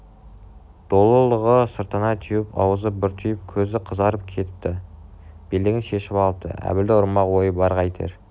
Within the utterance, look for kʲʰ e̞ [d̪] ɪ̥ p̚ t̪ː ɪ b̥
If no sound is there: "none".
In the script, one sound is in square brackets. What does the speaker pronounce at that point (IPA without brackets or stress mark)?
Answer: t̪